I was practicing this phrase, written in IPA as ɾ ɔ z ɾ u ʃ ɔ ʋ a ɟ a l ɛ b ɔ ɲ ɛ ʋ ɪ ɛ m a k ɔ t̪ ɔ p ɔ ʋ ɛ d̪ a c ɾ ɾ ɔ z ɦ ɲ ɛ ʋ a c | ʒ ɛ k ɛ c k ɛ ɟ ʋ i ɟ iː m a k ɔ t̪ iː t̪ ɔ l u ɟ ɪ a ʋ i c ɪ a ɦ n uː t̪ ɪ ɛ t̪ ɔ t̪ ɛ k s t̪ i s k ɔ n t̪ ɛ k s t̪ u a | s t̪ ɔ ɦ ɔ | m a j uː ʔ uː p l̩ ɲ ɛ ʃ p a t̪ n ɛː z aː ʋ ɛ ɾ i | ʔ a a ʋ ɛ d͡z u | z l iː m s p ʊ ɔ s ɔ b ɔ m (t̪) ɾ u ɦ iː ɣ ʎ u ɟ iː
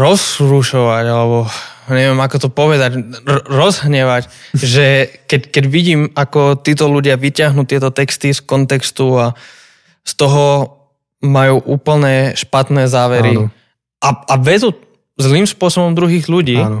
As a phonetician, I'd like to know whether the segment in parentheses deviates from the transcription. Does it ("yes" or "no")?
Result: yes